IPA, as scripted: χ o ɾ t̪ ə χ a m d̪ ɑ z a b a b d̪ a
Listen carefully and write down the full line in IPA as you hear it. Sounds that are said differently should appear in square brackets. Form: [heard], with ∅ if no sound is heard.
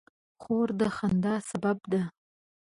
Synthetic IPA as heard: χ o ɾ [d̪] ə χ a [n] d̪ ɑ [s] a b a b d̪ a